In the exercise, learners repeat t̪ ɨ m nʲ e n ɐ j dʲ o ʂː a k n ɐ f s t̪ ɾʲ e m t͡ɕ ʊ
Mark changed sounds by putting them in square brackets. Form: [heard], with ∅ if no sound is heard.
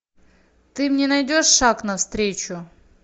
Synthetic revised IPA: t̪ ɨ m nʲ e n ɐ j dʲ o ʂː a k n ɐ f s t̪ ɾʲ e [∅] t͡ɕ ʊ